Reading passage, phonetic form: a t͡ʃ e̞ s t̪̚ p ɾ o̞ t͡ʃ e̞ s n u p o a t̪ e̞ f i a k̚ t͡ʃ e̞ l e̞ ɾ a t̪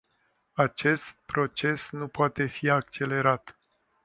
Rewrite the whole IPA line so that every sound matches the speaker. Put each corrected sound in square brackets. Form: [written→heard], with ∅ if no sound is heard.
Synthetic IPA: a t͡ʃ e̞ s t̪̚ p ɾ o̞ t͡ʃ e̞ s n u p o a t̪ e̞ f i a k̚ t͡ʃ e̞ l e̞ ɾ a t̪